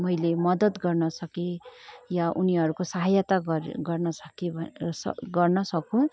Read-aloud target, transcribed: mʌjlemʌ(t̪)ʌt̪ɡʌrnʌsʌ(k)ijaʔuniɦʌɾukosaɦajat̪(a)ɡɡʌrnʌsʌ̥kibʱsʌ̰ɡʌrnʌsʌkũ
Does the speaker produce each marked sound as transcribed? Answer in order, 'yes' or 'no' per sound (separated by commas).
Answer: no, yes, yes